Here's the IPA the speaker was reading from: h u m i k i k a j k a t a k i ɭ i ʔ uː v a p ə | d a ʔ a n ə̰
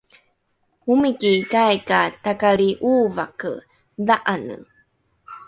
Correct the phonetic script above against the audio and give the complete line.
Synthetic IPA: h u m i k i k a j k a t a k a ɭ i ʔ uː v a k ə | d a ʔ a n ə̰